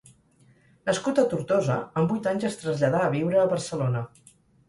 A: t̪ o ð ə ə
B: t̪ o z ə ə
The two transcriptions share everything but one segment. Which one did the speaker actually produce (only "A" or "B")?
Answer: B